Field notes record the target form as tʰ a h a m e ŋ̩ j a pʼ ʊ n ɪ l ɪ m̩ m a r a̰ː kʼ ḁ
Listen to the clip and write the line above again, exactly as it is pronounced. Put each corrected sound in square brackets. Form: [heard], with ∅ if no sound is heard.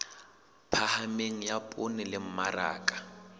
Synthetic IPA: [pʰ] a h a m e ŋ̩ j a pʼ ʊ n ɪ l ɪ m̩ m a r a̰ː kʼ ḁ